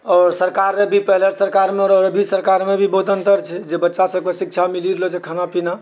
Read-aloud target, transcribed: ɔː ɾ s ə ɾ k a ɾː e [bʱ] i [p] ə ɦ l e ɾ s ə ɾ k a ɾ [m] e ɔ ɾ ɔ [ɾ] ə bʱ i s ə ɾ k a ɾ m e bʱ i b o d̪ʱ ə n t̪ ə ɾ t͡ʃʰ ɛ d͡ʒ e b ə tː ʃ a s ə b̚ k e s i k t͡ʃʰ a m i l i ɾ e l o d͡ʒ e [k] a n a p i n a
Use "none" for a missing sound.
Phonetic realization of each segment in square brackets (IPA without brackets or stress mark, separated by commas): bʱ, p, m, ɾ, kʰ